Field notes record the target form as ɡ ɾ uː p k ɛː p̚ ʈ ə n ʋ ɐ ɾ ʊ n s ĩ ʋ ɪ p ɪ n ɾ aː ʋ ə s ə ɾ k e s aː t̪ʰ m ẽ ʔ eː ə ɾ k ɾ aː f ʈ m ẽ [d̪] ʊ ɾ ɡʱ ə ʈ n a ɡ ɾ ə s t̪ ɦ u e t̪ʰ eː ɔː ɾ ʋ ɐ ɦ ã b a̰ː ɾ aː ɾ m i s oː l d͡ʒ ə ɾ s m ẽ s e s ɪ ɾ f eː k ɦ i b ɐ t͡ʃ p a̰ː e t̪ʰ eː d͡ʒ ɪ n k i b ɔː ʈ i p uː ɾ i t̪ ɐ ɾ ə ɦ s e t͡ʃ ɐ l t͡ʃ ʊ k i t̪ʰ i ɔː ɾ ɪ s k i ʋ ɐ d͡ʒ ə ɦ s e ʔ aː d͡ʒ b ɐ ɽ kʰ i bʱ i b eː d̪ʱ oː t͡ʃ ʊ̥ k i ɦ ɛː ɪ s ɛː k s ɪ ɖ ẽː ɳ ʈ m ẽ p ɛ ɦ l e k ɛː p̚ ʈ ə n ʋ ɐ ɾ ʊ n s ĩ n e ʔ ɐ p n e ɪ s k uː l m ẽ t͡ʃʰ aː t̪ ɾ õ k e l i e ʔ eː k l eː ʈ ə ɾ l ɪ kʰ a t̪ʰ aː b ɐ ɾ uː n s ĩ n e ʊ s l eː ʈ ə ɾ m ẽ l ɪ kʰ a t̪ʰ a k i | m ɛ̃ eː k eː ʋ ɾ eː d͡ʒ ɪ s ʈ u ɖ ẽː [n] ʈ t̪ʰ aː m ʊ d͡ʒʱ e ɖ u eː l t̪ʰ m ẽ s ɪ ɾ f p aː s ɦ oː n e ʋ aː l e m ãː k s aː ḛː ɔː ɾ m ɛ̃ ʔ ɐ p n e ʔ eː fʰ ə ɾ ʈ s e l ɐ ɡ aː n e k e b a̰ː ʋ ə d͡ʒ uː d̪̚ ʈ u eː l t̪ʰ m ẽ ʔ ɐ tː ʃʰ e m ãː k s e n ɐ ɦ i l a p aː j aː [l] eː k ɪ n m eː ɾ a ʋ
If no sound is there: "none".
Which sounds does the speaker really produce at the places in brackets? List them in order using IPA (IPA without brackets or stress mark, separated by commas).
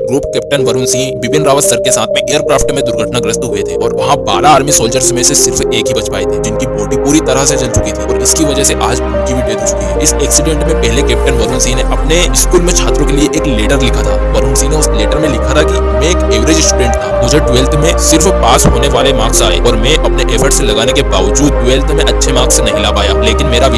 d̪, ɳ, l